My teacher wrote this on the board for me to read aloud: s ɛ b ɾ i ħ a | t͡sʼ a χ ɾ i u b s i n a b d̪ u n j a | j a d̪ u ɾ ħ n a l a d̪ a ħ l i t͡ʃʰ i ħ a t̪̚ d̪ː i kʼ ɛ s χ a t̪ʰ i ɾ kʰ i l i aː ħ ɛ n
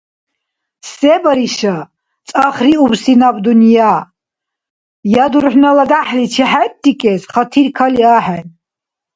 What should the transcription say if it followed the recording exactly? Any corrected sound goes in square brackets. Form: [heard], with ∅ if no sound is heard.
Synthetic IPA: s ɛ b ɾ i [ʃ] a | t͡sʼ a χ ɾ i u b s i n a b d̪ u n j a | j a d̪ u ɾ ħ n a l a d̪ a ħ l i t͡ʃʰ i ħ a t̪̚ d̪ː i kʼ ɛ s χ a t̪ʰ i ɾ kʰ [a] l i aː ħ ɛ n